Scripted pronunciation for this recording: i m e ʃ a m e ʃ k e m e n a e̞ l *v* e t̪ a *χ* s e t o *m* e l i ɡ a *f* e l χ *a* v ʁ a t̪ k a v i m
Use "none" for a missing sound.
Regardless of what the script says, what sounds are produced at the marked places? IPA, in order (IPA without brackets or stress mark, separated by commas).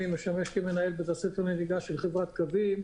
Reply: b, none, n, ʃ, e